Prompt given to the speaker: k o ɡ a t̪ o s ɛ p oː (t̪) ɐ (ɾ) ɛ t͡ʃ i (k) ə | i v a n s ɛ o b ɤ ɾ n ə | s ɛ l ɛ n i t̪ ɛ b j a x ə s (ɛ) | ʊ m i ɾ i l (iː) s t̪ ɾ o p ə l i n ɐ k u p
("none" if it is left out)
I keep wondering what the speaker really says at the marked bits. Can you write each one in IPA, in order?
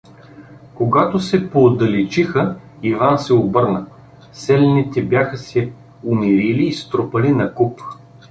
d̪, l, x, ɛ, iː

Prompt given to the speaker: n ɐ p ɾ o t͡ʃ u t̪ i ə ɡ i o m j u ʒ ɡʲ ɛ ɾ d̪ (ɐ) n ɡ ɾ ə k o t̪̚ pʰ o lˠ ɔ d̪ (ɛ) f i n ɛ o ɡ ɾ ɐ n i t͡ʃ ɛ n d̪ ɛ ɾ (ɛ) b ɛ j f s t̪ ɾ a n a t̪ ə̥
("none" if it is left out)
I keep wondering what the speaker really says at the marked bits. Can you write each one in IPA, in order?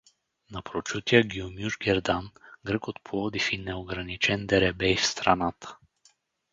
a, i, ɛ

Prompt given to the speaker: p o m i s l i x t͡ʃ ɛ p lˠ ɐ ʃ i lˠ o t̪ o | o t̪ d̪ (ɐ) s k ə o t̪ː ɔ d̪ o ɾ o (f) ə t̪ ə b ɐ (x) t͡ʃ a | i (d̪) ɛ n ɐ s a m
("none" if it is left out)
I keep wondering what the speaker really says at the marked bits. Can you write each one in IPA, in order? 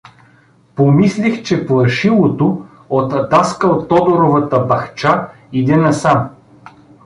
a, v, x, d̪

